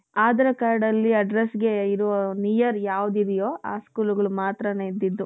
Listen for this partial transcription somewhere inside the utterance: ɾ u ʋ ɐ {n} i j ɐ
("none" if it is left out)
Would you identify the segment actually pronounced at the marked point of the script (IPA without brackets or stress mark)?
n